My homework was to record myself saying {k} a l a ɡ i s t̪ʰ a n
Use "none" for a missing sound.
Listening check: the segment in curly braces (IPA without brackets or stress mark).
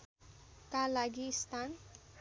k